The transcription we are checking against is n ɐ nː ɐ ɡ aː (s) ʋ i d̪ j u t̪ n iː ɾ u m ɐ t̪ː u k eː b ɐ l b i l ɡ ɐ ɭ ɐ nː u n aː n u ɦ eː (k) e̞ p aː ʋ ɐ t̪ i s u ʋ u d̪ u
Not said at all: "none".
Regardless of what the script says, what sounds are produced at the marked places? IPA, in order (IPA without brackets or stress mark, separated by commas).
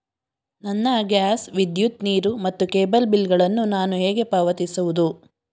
s, ɡ